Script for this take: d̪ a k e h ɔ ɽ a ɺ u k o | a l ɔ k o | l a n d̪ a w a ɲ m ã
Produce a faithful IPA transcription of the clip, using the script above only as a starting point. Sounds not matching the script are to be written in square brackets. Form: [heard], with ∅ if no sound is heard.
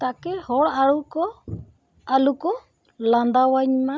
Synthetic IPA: [t̪] a k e h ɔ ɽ a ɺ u k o | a l [u] k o | l a n d̪ a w a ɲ m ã